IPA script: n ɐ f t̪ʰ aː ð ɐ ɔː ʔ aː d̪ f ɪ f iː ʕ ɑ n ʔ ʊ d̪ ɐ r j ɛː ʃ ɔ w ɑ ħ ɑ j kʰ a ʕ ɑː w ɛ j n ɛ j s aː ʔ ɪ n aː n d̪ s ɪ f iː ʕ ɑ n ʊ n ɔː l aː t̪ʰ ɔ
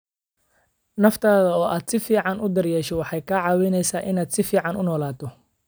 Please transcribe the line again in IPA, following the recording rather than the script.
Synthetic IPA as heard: n ɐ f t̪ʰ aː ð ɐ ɔː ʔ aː d̪ s ɪ f iː ʕ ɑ n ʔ ʊ d̪ ɐ r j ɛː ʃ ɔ w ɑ ħ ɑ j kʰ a ʕ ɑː w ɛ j n ɛ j s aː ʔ ɪ n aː d̪ s ɪ f iː ʕ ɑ n ʊ n ɔː l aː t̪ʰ ɔ